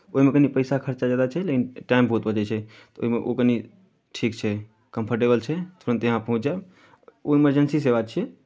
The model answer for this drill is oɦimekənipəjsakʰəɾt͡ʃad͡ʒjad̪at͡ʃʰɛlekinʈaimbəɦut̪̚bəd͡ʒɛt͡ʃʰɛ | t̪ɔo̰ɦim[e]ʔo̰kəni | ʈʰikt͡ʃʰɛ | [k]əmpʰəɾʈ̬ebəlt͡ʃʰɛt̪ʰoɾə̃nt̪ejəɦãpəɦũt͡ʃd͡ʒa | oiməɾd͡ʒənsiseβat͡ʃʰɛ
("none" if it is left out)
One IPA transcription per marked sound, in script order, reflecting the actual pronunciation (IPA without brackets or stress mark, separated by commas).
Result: e, k